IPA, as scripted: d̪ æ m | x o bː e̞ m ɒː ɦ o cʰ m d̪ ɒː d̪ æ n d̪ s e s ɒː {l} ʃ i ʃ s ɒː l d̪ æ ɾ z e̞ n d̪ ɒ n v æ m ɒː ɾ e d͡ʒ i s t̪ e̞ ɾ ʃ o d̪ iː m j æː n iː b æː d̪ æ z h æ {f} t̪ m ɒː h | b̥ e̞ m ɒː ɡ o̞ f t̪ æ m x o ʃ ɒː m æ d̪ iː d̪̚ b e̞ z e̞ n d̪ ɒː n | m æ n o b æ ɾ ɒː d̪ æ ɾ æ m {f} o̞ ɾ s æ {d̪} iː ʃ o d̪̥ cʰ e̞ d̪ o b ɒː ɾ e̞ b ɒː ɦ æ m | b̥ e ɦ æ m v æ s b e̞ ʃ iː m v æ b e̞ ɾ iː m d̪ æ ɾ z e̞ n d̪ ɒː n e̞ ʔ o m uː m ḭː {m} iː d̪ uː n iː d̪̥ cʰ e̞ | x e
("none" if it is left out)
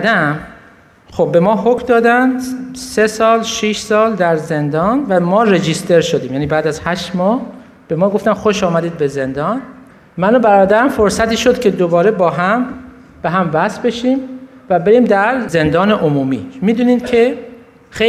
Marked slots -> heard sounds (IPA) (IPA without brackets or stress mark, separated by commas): l, ʃ, f, t̪, m